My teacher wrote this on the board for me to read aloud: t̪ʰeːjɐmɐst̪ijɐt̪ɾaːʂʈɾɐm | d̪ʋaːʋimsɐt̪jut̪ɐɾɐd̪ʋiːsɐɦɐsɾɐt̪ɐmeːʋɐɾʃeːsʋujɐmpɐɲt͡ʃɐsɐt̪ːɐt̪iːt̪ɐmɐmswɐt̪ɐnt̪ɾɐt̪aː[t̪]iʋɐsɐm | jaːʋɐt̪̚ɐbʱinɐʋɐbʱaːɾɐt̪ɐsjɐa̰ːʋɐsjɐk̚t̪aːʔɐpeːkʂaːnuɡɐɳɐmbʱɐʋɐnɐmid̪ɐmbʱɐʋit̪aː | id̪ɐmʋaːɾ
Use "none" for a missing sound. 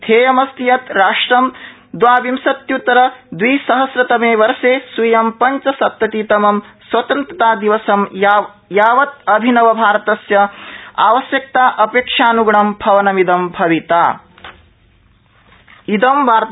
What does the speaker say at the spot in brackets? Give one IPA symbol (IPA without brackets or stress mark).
d̪